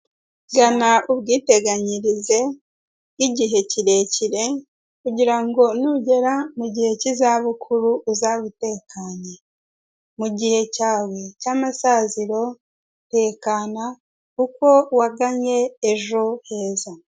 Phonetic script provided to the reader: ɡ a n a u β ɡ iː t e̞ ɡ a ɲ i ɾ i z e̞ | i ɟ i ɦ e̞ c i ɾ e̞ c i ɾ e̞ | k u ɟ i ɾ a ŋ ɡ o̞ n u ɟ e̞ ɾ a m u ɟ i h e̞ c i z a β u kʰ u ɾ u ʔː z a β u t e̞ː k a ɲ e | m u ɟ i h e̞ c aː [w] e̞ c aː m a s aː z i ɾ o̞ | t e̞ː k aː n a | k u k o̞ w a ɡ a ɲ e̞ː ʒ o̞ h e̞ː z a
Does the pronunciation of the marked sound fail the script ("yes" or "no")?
no